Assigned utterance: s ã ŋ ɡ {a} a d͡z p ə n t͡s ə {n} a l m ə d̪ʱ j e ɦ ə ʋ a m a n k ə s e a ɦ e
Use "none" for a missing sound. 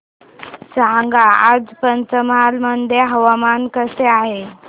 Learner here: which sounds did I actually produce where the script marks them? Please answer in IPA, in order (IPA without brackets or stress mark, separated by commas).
a, m